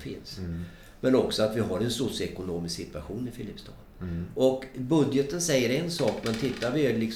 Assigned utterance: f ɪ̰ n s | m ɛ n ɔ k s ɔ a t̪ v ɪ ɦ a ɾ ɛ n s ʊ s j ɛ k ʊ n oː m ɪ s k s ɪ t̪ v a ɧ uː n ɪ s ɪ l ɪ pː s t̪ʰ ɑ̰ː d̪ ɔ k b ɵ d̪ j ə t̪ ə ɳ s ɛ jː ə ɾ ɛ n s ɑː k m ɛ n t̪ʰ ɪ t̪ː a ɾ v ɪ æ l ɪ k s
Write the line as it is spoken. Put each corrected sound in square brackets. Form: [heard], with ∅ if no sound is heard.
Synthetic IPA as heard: f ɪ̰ n s | m ɛ n ɔ k s ɔ a t̪ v ɪ ɦ a ɾ ɛ n s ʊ s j ɛ k ʊ n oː m ɪ s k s ɪ t̪ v a ɧ uː n ɪ [f] ɪ l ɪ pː s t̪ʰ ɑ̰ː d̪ ɔ k b ɵ d̪ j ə t̪ ə [n] s ɛ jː ə ɾ ɛ n s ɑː k m ɛ n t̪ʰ ɪ t̪ː a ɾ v ɪ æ l ɪ k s